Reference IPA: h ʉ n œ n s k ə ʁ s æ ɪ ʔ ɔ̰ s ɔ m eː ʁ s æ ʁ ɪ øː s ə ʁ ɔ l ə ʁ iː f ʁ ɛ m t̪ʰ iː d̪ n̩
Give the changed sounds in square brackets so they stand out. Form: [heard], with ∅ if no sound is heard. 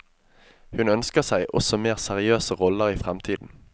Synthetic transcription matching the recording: h ʉ n œ n s k ə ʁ s æ ɪ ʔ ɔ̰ s ɔ m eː ʁ s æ ʁ ɪ øː s ə ʁ ɔ l ə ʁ iː f ʁ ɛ m t̪ʰ iː d̪ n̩